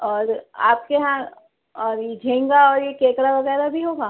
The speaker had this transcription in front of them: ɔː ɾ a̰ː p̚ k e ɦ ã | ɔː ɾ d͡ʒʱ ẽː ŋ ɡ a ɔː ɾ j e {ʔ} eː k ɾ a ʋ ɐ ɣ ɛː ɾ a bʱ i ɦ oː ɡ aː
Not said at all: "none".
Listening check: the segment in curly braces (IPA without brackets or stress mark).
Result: k